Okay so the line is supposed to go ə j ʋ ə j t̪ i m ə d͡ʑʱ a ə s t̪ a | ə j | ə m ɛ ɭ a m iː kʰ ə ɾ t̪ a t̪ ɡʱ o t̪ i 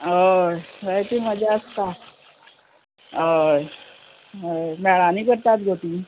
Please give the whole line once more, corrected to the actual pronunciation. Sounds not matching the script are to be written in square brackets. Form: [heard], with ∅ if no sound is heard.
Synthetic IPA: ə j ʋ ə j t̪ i m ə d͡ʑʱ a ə s t̪ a | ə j | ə m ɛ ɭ a [n] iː [k] ə ɾ t̪ a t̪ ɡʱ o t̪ i

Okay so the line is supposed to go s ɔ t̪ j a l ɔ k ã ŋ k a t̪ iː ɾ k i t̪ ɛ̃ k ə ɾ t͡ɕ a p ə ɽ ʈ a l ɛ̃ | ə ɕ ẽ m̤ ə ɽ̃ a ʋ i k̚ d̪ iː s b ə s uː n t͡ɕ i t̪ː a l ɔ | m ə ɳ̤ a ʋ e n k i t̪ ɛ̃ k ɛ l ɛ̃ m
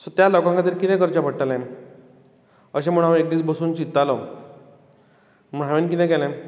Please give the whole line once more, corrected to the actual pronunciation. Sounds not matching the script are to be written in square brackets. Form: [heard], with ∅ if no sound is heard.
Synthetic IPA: s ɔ t̪ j a l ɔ k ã ŋ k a t̪ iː ɾ k i t̪ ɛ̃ k ə ɾ t͡ɕ a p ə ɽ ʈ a l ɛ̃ | ə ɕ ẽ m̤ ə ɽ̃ a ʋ [e] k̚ d̪ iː [t͡s] b ə s uː n t͡ɕ i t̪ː a l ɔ | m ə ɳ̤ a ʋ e n k i t̪ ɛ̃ k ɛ l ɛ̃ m

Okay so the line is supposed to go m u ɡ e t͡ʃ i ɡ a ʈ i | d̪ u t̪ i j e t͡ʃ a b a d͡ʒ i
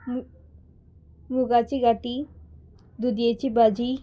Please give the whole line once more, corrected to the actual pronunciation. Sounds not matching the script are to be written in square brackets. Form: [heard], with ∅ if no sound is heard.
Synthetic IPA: m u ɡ [a] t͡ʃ i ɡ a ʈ i | d̪ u [d̪] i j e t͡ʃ [i] b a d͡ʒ i

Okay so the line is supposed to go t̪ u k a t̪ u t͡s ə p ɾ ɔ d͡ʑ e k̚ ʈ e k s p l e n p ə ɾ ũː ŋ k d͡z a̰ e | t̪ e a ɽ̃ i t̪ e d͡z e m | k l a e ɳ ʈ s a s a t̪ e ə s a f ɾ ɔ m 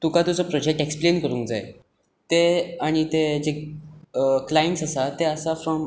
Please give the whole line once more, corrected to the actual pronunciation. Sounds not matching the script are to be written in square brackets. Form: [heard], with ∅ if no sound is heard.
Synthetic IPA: t̪ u k a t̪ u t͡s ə p ɾ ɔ d͡ʑ e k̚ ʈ e k s p l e n [k] ə ɾ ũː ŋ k d͡z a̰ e | t̪ e a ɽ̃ i t̪ e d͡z e [∅] | k l a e ɳ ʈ s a s a t̪ e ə s a f ɾ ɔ m

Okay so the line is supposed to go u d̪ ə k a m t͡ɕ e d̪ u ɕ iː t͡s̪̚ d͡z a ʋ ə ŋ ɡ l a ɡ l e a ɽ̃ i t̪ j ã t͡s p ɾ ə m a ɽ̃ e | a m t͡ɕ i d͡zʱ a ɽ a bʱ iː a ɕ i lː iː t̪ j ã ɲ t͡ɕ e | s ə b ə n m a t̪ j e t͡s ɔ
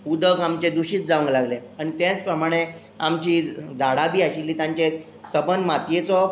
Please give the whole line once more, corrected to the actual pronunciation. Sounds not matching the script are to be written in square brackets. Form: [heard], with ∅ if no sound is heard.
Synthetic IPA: u d̪ ə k a m t͡ɕ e d̪ u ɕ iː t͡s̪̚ d͡z a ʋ ə ŋ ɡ l a ɡ l e a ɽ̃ i t̪ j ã t͡s p ɾ ə m a ɽ̃ e | a m t͡ɕ i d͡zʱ a ɽ a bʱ iː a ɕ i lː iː t̪ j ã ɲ t͡ɕ e | s ə b ə n m a t̪ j e t͡s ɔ

